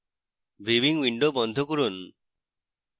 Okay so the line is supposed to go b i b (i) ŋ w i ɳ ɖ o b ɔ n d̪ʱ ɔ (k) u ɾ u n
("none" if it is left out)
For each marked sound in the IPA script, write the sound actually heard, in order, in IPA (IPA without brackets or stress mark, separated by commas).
i, k